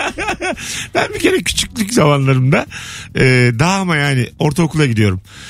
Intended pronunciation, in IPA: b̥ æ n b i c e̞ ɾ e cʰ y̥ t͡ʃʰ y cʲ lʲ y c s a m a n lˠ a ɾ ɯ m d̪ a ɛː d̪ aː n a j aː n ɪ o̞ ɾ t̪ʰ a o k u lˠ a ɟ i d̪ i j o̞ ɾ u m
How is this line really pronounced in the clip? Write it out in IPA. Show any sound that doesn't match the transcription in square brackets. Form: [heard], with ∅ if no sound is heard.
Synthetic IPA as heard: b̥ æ n b i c e̞ ɾ [ɛ] cʰ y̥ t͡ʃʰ y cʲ lʲ y c [z] a m a n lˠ a ɾ ɯ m d̪ a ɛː d̪ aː [m] a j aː n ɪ o̞ ɾ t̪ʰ a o k u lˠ a ɟ i d̪ i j o̞ ɾ u m